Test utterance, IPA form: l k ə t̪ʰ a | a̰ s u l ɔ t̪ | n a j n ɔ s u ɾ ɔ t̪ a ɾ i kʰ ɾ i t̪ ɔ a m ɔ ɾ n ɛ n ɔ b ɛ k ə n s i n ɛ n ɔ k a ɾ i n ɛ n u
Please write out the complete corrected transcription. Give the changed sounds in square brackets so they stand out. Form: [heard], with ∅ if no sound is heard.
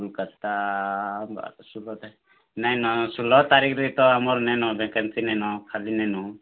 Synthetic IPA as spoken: l k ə [t̪] a | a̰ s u l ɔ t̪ | n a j n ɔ s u [l] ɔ t̪ a ɾ i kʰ ɾ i t̪ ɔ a m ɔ ɾ n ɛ n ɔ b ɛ k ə n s i n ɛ n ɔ [kʰ] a [l] i n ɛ n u